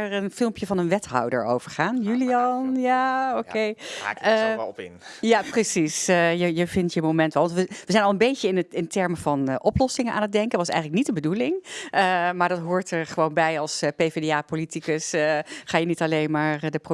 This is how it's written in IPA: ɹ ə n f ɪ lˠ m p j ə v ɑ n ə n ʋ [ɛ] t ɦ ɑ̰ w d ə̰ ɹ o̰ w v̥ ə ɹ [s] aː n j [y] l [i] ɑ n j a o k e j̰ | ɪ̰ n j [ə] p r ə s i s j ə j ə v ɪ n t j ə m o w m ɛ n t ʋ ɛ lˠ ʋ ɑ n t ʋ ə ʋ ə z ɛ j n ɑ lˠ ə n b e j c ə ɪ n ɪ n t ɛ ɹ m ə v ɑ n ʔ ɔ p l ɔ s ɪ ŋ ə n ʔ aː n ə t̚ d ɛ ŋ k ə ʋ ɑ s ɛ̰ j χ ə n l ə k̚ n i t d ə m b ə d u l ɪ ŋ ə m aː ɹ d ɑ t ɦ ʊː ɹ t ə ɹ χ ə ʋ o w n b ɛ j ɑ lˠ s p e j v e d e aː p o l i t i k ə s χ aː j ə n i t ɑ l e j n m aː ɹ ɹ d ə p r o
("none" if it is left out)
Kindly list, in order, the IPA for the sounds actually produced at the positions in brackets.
ɛ, χ, y, i, a

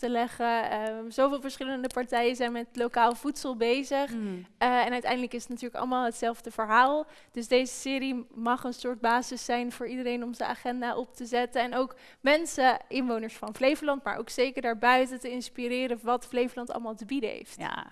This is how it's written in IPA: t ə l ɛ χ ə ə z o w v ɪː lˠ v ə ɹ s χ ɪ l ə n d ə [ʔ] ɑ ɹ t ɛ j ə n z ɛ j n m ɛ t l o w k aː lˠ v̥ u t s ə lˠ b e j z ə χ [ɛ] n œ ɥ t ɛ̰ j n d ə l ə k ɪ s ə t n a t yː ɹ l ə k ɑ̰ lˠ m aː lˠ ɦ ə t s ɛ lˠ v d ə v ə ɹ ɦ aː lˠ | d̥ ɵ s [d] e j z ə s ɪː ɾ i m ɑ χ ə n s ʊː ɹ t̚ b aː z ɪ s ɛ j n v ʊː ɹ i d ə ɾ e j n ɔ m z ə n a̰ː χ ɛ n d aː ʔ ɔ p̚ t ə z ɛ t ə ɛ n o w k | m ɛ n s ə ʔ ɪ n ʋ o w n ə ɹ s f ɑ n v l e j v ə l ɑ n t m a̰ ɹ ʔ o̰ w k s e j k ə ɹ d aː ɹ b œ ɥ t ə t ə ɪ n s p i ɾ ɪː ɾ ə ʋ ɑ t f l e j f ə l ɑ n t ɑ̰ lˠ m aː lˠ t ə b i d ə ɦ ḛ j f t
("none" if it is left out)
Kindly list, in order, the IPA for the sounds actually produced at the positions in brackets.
p, ɛ, d

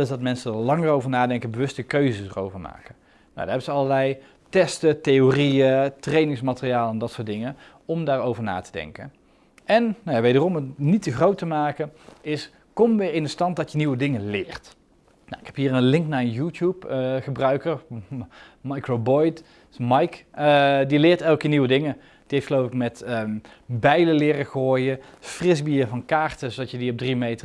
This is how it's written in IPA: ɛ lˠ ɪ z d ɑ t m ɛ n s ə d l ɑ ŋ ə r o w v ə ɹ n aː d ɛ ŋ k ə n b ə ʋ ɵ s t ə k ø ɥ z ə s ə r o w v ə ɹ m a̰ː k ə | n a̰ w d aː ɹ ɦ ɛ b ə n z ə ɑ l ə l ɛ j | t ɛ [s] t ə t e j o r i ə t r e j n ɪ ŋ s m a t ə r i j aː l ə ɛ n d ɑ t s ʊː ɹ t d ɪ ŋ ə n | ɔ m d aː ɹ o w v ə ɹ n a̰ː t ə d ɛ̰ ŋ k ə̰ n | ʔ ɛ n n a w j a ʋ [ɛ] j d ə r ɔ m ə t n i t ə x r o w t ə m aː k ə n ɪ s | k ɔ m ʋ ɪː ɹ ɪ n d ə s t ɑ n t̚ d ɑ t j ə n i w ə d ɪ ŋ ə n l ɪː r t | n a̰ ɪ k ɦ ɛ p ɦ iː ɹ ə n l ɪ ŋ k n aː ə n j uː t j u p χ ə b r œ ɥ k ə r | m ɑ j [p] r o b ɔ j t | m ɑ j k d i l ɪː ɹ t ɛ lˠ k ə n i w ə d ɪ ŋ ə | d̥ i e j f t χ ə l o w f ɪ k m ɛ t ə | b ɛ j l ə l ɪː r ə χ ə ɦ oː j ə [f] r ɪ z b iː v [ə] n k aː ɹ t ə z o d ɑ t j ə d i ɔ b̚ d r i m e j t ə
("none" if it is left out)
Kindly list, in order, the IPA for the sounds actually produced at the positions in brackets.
s, e, k, f, ɑ

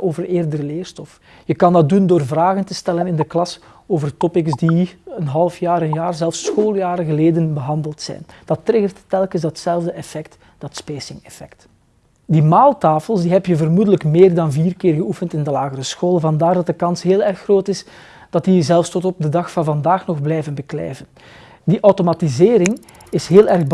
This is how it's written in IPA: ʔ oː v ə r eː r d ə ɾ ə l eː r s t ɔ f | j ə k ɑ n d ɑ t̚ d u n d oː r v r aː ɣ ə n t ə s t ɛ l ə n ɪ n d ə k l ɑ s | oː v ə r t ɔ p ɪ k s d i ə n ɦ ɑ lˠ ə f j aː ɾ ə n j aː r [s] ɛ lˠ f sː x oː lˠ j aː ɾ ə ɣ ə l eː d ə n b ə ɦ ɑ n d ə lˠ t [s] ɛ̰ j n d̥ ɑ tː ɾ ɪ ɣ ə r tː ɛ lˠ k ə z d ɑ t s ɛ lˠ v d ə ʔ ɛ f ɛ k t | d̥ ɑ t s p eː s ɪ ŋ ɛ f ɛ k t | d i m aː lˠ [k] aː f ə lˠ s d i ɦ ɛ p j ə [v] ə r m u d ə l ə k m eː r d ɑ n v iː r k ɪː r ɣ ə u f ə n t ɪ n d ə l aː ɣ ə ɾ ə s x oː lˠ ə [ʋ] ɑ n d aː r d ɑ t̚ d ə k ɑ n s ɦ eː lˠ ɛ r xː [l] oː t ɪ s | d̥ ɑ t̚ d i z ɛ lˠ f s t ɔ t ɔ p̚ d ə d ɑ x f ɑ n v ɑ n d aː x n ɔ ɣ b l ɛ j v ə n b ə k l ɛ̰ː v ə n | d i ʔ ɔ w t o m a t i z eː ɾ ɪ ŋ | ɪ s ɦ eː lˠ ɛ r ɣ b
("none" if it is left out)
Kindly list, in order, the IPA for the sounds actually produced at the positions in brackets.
z, s, t, v, v, r

